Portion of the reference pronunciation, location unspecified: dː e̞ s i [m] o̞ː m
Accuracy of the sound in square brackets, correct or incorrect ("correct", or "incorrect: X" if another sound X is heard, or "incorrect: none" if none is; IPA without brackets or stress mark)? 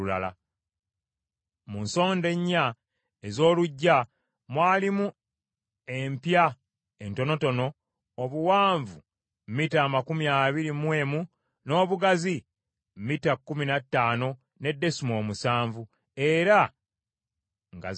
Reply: correct